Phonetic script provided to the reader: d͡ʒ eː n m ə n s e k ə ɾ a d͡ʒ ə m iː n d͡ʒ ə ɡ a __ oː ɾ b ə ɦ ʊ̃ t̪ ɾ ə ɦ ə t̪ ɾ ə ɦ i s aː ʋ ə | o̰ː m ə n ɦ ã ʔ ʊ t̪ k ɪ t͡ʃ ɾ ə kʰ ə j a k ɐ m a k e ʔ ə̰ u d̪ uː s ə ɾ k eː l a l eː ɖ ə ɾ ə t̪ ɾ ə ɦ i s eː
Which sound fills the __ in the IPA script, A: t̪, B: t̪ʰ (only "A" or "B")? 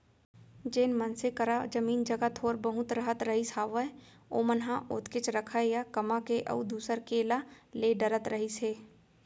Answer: B